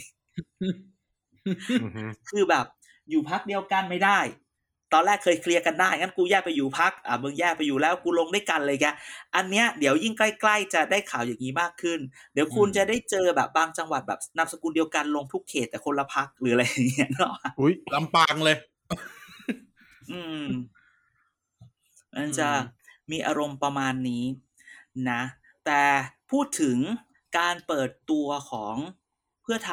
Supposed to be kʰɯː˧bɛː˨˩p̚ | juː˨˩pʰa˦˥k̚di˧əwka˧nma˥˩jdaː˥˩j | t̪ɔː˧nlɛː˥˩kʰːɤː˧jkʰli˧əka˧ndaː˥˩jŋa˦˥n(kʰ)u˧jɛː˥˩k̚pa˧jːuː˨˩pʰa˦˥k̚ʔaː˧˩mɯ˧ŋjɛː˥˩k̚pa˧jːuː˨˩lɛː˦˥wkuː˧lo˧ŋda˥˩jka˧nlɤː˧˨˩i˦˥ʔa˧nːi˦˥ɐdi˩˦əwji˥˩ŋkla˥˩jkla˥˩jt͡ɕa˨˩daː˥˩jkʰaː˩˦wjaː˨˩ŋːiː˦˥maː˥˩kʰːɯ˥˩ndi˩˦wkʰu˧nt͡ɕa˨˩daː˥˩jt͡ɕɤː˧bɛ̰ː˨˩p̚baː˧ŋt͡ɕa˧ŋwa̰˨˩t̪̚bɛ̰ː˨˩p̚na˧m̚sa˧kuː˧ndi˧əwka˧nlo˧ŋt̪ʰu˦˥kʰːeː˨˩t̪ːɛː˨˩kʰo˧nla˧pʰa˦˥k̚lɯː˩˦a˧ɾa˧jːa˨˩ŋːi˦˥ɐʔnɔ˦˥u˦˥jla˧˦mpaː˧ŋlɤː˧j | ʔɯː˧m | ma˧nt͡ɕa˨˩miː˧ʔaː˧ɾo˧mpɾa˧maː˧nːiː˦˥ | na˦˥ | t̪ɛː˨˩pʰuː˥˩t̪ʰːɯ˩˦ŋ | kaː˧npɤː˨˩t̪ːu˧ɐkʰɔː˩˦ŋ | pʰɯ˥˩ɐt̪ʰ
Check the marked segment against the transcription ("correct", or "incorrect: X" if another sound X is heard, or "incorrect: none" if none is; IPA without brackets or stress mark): incorrect: k